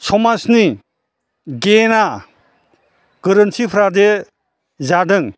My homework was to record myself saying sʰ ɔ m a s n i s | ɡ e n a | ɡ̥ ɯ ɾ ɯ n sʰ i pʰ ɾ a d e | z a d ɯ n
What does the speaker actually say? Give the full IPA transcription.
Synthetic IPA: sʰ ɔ m a s n i | ɡ e n a | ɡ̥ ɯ ɾ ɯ n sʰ i pʰ ɾ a d e | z a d ɯ ŋ

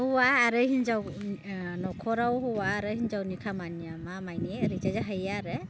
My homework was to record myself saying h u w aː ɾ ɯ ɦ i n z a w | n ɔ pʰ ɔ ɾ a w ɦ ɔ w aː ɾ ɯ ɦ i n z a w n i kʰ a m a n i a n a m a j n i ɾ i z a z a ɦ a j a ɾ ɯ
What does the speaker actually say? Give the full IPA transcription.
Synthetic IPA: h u w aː ɾ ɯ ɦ i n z a w | n ɔ kʰ ɔ ɾ a w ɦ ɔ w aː ɾ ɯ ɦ i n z a w n i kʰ a m a n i a m a m a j n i ɾ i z a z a ɦ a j a ɾ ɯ

